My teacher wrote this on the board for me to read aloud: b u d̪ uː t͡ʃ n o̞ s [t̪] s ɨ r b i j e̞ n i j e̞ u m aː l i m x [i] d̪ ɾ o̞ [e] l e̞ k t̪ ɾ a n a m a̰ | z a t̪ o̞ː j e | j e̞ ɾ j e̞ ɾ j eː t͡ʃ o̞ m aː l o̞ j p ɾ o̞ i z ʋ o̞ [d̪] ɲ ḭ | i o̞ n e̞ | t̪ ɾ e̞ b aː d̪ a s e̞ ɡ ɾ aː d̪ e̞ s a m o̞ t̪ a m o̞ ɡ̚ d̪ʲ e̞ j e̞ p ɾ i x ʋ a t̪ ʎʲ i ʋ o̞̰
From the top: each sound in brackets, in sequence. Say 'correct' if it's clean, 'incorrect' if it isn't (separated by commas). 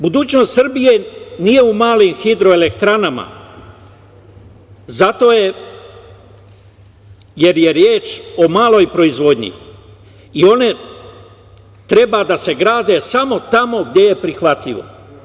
correct, correct, correct, correct